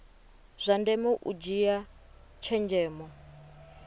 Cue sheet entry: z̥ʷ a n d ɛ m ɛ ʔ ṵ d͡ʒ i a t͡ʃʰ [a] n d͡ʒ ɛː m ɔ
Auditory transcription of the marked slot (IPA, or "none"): ɛ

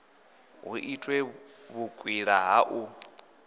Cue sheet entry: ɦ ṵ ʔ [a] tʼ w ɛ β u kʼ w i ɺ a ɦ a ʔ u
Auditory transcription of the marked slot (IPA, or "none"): i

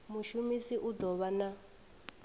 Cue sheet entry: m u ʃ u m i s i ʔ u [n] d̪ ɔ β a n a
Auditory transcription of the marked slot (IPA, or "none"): none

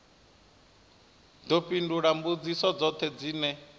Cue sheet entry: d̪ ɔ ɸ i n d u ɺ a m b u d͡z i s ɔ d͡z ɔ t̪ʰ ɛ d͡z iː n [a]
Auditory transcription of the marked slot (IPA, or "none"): ɛ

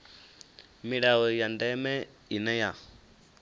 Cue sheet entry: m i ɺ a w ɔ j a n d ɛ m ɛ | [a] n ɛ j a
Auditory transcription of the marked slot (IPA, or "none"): i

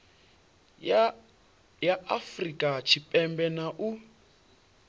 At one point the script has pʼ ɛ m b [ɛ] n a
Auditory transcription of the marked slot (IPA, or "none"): ɛ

